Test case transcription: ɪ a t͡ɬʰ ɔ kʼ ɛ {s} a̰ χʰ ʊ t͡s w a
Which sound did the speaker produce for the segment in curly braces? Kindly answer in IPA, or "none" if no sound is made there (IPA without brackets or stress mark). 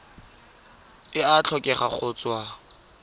χ